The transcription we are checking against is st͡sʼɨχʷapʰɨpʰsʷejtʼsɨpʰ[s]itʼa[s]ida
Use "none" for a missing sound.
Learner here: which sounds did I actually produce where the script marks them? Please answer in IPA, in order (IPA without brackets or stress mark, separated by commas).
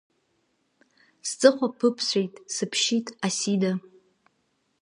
ʃ, s